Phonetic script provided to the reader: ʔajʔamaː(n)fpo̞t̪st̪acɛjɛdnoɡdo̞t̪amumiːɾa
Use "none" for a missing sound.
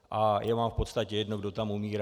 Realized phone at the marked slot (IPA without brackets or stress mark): m